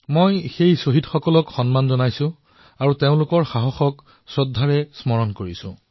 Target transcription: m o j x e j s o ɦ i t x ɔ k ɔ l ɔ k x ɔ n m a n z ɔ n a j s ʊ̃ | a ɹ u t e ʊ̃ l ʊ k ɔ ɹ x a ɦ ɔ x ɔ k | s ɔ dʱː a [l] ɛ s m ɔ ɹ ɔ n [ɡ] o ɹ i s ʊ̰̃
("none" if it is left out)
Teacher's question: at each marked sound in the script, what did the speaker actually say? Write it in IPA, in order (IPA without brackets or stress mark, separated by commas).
ɹ, k